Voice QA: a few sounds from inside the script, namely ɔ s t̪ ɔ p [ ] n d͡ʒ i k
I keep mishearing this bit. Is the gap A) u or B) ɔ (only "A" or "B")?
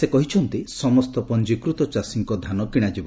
B